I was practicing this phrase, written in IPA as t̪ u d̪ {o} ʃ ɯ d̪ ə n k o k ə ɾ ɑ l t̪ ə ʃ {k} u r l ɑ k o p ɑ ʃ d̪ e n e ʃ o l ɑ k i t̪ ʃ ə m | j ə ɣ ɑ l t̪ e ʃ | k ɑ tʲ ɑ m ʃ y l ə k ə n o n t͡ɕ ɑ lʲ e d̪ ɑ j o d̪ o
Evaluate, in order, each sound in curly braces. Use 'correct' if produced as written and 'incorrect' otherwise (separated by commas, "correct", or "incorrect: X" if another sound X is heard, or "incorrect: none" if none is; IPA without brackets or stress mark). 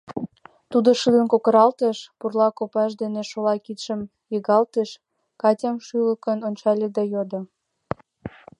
correct, incorrect: p